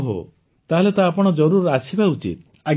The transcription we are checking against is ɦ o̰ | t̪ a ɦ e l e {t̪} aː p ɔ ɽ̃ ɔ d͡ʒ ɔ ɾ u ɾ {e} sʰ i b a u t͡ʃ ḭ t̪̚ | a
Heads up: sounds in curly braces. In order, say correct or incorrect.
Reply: correct, incorrect: a

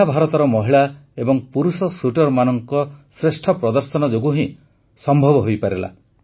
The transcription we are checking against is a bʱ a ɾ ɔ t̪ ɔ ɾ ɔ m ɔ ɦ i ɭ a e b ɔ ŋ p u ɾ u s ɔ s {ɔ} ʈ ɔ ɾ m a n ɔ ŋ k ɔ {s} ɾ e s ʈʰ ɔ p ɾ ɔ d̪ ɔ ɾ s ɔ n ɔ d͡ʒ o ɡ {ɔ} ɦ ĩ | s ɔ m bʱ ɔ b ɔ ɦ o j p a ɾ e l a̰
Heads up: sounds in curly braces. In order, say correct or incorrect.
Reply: incorrect: u, correct, incorrect: u

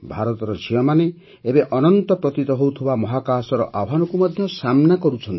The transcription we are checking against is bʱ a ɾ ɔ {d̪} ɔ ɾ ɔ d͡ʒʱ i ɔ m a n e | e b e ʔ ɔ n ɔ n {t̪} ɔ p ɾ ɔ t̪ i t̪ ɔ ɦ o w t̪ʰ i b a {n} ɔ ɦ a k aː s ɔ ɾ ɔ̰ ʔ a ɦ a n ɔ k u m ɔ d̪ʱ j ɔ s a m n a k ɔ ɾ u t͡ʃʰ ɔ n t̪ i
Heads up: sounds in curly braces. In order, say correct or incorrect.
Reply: incorrect: t̪, correct, incorrect: m

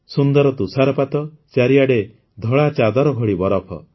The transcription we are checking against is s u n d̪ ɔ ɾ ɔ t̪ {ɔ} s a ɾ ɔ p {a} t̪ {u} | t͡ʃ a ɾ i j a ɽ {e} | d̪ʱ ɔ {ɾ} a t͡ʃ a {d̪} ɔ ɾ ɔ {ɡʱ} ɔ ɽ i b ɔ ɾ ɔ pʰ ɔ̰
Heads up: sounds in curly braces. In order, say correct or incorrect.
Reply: incorrect: u, correct, incorrect: ɔ, correct, incorrect: ɭ, correct, correct

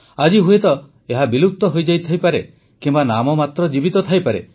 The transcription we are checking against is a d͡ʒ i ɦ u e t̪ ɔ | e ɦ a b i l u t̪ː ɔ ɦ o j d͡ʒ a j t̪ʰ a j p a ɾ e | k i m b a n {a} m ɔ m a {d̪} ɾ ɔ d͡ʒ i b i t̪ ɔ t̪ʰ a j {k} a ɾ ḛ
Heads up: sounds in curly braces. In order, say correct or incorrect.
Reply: correct, incorrect: t̪, incorrect: p

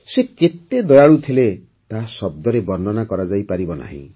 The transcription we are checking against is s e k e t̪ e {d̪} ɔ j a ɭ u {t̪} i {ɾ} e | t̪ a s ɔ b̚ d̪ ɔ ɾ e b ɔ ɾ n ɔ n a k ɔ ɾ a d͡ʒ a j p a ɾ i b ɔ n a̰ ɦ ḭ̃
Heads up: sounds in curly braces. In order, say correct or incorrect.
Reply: correct, incorrect: t̪ʰ, incorrect: l

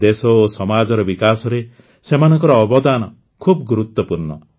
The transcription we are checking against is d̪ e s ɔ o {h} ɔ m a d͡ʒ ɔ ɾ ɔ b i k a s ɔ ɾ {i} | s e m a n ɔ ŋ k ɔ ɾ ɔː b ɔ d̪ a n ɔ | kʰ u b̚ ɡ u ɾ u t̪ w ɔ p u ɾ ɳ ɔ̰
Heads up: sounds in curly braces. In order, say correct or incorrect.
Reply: incorrect: s, incorrect: e

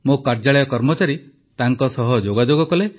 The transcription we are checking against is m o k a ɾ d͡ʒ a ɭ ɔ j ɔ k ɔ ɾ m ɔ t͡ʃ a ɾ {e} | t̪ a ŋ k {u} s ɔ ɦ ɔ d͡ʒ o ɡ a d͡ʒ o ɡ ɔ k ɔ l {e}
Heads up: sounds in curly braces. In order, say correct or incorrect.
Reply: incorrect: i, incorrect: ɔ, correct

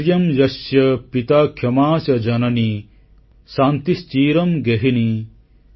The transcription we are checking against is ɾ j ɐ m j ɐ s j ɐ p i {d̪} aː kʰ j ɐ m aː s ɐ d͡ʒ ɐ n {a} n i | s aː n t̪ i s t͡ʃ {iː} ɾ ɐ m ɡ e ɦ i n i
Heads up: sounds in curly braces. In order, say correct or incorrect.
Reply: incorrect: t̪, incorrect: ɐ, correct

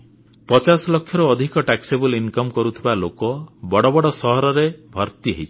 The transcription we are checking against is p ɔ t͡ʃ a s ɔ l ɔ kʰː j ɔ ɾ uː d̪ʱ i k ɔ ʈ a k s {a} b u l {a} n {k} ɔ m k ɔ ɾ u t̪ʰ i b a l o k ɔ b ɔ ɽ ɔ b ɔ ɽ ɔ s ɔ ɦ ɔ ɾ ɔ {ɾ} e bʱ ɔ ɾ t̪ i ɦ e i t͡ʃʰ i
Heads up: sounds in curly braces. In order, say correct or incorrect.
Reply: incorrect: e, incorrect: i, correct, correct

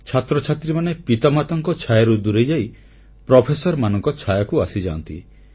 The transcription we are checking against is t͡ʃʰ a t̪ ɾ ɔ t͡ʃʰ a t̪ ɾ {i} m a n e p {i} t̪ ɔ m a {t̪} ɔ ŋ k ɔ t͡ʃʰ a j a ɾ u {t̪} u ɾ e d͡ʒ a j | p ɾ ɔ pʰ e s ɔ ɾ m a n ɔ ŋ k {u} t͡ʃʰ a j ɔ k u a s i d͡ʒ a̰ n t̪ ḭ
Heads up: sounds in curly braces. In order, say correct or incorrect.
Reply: correct, correct, correct, incorrect: d̪, incorrect: ɔ

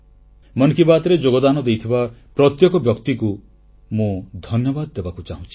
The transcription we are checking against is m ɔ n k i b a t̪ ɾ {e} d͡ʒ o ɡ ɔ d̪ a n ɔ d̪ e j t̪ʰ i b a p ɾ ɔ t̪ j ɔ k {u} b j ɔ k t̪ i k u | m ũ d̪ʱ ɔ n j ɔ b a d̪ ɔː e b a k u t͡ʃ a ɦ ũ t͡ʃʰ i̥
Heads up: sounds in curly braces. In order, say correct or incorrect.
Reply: correct, incorrect: ɔ

